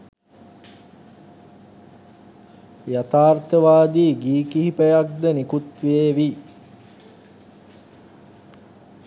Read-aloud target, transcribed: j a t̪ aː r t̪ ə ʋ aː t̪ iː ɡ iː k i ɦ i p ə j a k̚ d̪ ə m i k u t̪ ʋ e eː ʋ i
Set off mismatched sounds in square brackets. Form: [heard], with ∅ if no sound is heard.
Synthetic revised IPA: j a t̪ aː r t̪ ə ʋ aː [d̪] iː ɡ iː k i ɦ i p ə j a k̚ d̪ ə [n] i k u t̪ ʋ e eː ʋ i